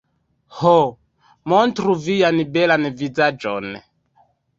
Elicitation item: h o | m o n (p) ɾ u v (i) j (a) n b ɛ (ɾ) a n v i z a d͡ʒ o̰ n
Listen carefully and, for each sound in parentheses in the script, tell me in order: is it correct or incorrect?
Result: incorrect: t, correct, correct, incorrect: l

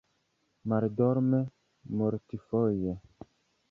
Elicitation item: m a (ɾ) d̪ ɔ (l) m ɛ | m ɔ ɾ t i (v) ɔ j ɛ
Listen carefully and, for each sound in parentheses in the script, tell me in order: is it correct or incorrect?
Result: correct, incorrect: ɾ, incorrect: f

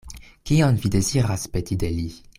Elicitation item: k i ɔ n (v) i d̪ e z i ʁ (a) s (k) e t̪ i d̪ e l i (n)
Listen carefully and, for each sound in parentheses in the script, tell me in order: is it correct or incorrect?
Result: correct, correct, incorrect: p, incorrect: none

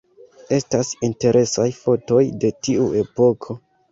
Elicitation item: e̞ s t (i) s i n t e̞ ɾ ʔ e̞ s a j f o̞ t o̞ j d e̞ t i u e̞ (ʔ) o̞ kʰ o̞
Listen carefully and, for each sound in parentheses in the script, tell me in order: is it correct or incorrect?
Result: incorrect: a, incorrect: p

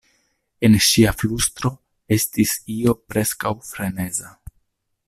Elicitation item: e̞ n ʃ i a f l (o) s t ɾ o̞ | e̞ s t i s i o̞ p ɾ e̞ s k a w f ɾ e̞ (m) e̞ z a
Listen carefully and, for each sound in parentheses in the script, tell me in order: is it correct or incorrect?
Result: incorrect: u, incorrect: n

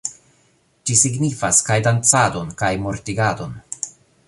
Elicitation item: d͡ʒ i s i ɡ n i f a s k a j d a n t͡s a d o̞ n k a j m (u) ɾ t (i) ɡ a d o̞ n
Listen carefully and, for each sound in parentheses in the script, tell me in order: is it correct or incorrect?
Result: incorrect: o, correct

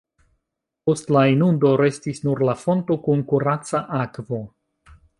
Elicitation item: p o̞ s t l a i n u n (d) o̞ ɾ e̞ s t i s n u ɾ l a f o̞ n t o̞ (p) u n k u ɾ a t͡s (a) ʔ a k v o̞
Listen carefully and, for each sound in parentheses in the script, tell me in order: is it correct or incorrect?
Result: correct, incorrect: k, correct

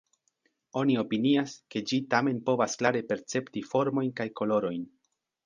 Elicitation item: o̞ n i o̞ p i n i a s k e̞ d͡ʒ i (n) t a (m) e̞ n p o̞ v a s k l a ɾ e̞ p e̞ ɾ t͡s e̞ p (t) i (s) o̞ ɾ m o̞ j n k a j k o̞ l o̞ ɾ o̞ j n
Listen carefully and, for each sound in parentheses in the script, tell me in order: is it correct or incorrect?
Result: incorrect: none, correct, correct, incorrect: f

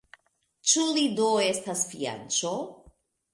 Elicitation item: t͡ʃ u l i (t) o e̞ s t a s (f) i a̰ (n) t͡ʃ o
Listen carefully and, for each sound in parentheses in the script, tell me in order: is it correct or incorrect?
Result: incorrect: d, correct, correct

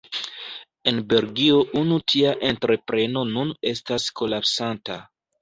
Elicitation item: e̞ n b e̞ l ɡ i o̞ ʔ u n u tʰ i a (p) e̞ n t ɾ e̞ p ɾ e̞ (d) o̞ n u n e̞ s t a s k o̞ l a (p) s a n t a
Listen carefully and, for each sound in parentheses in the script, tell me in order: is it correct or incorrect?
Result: incorrect: ʔ, incorrect: n, correct

